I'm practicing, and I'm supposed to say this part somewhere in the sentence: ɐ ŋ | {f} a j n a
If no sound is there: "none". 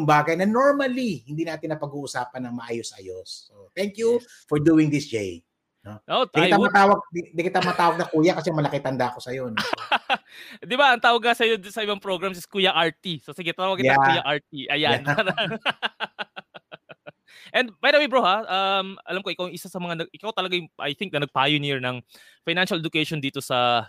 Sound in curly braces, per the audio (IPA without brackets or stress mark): f